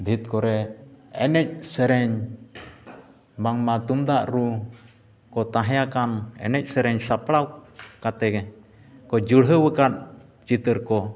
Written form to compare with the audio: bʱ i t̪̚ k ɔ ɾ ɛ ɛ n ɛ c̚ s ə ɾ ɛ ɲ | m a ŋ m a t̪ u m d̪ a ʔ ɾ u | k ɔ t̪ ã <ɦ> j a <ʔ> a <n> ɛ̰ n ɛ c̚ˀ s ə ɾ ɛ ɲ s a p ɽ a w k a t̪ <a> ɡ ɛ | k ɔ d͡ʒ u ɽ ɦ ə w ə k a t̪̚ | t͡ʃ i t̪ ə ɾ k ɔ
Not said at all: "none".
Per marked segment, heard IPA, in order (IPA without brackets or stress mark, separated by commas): ɦ, k, n, ɛ